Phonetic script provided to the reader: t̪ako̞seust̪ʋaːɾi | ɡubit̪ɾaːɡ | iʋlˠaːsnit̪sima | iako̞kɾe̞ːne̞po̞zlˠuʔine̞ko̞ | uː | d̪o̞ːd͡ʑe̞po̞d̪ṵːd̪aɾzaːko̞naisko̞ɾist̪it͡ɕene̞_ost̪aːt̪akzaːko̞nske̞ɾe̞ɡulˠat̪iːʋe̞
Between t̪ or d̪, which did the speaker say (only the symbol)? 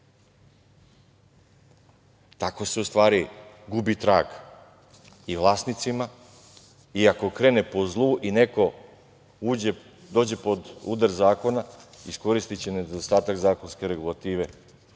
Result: d̪